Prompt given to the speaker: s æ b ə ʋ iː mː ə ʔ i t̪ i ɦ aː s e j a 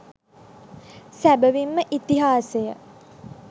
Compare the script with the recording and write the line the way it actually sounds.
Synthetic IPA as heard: s æ b ə ʋ i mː ə ʔ i t̪ i ɦ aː s e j ə